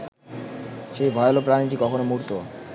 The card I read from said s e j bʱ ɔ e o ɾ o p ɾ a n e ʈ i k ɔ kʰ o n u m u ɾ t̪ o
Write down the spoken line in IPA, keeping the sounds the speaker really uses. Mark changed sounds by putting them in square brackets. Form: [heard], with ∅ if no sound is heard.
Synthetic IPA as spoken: [ʃ] e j bʱ ɔ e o [l] o p ɾ a n [i] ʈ i k ɔ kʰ o n [o] m u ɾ t̪ o